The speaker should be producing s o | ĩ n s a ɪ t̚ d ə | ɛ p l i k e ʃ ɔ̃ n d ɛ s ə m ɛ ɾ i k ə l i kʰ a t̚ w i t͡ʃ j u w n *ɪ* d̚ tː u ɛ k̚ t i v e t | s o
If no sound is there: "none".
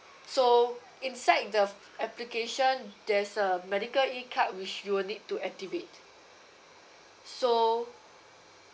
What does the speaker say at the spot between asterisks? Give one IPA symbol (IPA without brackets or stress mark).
i